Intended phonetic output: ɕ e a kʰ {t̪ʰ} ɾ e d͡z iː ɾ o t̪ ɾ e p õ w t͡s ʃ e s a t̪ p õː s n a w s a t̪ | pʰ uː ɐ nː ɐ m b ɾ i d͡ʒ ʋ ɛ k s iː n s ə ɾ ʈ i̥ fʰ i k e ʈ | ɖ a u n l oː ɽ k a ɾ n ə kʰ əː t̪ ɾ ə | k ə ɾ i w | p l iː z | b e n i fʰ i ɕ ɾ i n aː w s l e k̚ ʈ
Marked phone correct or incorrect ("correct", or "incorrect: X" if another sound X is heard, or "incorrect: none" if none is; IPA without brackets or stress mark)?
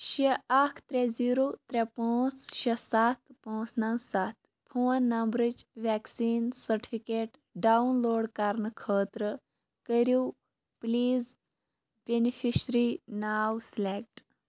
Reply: incorrect: t̪